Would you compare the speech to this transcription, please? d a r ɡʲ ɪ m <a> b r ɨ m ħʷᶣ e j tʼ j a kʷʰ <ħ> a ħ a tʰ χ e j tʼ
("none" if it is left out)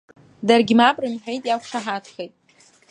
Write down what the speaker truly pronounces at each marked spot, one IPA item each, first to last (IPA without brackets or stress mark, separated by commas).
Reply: a, ʂ